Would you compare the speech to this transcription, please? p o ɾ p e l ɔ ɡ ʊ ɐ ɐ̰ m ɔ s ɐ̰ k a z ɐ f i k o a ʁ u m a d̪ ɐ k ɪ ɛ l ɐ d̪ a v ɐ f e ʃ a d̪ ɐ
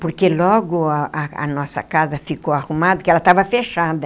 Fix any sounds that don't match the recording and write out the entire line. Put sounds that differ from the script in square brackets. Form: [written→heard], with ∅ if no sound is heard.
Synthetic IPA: p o ɾ [p→k] e l ɔ ɡ ʊ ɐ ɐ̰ [m→n] ɔ s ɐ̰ k a z ɐ f i k o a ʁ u m a d̪ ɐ k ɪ ɛ l ɐ [d̪→t̪] a v ɐ f e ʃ a d̪ ɐ